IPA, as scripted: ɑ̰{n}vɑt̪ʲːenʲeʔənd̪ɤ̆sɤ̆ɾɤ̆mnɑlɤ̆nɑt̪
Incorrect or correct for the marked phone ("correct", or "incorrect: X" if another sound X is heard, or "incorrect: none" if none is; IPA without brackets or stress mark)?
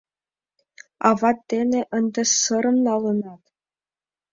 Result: incorrect: none